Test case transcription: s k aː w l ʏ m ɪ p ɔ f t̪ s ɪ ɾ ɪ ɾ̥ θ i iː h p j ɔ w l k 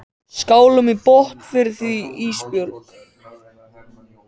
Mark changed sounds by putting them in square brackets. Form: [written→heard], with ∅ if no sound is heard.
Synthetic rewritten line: s k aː w l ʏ m [ɪ→i] p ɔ [f→h] t̪ [s→f] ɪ ɾ ɪ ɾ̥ θ i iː [h→s] p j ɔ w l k